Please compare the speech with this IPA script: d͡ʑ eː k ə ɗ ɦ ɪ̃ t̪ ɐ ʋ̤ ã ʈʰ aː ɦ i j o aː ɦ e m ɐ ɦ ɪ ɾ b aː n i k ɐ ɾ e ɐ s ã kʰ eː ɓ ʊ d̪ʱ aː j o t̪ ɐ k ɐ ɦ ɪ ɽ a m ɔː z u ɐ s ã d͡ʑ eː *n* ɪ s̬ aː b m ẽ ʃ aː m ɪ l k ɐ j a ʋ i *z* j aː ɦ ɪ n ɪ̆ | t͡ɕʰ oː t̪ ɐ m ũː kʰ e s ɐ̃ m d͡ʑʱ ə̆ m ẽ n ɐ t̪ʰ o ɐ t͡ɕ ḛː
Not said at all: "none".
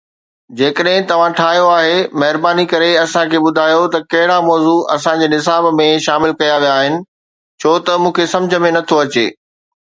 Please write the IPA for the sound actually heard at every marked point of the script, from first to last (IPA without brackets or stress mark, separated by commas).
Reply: n, none